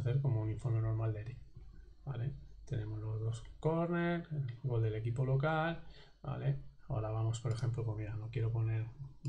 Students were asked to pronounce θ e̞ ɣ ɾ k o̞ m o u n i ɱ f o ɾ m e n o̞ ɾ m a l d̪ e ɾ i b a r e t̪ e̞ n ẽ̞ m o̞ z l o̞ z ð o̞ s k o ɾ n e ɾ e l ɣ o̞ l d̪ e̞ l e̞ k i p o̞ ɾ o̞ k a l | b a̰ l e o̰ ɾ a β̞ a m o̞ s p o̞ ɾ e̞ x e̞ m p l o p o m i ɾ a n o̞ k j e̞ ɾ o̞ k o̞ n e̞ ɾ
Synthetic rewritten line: θ e̞ ɾ k o̞ m o u n i ɱ f o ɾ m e n o̞ ɾ m a l d̪ e ɾ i b a l e t̪ e̞ n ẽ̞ m o̞ z l o̞ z ð o̞ s k o ɾ n e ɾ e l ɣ o̞ l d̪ e̞ l e̞ k i p o̞ l o̞ k a l | b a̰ l e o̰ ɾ a β̞ a m o̞ s p o̞ ɾ e̞ x e̞ m p l o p o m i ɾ a n o̞ k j e̞ ɾ o̞ p o̞ n e̞ ɾ